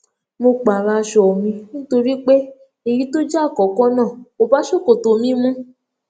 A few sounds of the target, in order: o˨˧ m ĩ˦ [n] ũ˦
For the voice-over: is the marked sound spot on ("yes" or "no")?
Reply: no